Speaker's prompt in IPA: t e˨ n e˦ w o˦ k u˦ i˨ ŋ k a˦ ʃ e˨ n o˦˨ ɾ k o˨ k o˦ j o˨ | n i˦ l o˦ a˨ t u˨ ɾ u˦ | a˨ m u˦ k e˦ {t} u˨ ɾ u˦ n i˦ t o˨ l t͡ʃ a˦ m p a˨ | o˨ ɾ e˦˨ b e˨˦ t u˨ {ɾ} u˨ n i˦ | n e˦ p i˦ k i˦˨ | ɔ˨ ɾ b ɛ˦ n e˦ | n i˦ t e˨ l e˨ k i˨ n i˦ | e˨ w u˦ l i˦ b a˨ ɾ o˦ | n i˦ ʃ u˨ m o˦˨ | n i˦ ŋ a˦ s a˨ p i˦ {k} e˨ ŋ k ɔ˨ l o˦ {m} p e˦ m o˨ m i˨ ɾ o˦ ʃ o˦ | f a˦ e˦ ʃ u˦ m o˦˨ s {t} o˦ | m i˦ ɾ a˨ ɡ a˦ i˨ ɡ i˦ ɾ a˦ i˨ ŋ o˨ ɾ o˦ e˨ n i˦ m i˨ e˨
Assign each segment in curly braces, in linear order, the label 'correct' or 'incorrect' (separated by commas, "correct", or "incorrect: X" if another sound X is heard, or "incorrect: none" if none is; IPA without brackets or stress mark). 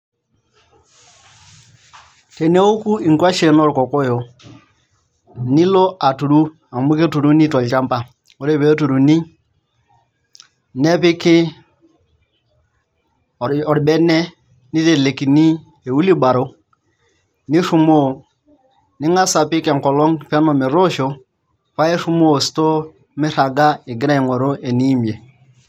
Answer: correct, correct, correct, incorrect: ŋ, correct